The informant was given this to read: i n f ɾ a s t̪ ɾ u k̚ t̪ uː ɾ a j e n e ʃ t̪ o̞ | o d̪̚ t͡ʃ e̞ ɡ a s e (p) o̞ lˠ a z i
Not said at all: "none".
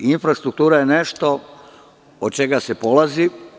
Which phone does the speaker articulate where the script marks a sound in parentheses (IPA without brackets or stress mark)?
p